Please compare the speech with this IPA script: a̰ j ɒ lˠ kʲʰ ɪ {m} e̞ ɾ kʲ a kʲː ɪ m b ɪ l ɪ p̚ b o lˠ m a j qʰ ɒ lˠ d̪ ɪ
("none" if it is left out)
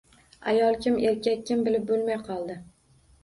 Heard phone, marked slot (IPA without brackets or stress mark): m